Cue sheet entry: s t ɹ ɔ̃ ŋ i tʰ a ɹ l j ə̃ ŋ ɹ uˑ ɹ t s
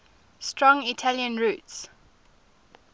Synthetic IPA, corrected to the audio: s t ɹ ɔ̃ ŋ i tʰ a l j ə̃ n ɹ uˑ t s